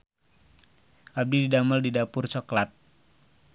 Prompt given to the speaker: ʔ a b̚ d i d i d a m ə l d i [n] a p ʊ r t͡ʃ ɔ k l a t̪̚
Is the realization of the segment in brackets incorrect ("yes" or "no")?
yes